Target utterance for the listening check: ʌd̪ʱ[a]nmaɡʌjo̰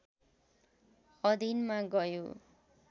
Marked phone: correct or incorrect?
incorrect